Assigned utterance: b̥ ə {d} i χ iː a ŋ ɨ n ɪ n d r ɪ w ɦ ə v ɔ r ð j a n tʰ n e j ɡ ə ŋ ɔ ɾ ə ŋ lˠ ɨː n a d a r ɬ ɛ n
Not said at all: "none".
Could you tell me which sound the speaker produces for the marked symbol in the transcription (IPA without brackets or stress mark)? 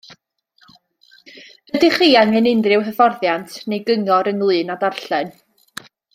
d